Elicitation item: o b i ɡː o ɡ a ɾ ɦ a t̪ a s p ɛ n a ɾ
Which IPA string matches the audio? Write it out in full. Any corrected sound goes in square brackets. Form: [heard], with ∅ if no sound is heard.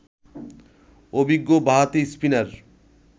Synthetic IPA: o b i ɡː o [b] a [∅] ɦ a t̪ [i] s p [i] n a ɾ